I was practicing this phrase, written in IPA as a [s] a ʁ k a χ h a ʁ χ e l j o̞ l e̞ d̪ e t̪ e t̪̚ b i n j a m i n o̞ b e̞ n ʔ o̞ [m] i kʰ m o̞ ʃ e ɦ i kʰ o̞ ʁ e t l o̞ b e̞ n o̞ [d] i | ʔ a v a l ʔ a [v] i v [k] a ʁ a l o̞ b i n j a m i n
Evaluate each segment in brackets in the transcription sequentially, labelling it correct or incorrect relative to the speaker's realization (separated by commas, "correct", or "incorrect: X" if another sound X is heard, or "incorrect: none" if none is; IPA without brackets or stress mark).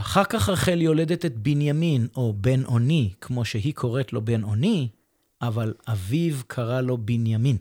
incorrect: χ, incorrect: n, incorrect: n, correct, incorrect: kʰ